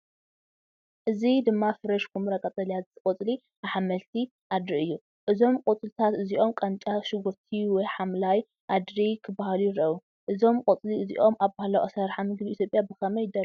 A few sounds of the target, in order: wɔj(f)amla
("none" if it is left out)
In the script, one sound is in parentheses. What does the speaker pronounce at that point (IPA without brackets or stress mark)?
ħ